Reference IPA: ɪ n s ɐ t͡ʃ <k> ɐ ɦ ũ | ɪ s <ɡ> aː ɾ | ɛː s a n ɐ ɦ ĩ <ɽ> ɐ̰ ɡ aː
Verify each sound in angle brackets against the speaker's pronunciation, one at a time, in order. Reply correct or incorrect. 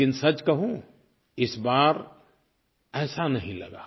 correct, incorrect: b, incorrect: l

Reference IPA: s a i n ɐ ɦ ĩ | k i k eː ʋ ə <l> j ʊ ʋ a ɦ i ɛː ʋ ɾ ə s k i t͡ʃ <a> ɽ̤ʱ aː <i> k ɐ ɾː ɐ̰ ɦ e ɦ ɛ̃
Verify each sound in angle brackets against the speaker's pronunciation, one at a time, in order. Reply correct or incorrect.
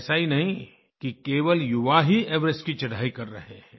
correct, incorrect: ɐ, correct

